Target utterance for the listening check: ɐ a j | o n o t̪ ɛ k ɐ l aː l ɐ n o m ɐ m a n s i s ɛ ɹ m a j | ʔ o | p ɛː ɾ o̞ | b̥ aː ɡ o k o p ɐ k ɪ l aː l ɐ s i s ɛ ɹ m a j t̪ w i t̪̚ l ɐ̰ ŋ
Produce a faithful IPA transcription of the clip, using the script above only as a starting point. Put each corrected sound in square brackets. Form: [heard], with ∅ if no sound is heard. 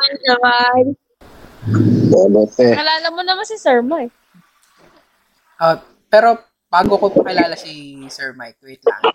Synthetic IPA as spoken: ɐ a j | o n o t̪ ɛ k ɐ l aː l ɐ [m] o [n] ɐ m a n s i s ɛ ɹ m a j | ʔ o | p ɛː ɾ o̞ | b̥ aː ɡ o k o p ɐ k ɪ l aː l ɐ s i s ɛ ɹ m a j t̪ w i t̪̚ l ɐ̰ ŋ